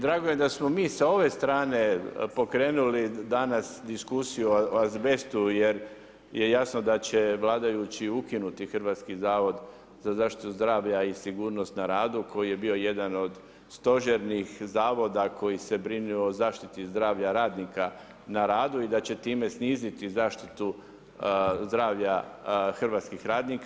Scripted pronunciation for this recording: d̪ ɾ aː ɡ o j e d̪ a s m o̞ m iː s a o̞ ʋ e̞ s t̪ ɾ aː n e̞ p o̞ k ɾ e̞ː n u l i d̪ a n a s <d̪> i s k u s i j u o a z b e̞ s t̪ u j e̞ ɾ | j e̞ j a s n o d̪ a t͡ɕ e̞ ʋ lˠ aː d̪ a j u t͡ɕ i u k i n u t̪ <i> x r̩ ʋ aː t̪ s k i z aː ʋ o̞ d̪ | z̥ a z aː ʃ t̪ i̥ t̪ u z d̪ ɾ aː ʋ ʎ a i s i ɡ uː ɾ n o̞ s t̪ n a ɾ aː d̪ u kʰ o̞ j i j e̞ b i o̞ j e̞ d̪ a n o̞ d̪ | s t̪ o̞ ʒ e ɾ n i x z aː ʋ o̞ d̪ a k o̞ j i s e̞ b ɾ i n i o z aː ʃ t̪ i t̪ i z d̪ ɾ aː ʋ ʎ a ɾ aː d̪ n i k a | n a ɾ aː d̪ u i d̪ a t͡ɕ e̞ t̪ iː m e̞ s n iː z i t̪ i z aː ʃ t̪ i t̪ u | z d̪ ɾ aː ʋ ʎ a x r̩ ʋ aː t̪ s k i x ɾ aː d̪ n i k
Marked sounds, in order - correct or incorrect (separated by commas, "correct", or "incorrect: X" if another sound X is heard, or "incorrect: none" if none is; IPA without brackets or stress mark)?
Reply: correct, correct